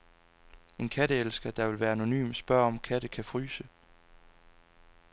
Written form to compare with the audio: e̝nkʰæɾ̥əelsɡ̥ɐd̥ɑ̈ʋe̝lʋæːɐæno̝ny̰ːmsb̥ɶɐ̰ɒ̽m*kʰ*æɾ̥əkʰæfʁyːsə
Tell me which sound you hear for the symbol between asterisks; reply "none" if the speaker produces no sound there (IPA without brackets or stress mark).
kʰ